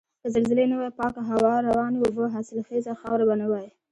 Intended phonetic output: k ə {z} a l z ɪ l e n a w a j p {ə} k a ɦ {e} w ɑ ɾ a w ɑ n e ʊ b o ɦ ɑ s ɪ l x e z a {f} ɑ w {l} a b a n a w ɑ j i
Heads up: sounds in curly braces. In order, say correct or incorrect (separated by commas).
correct, incorrect, incorrect, incorrect, incorrect